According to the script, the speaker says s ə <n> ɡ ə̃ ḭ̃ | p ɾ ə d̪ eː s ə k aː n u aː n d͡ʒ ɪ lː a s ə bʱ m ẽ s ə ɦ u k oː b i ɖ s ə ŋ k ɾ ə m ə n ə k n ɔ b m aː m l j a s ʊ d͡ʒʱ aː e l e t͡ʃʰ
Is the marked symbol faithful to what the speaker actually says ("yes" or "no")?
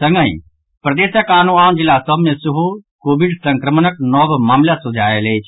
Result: no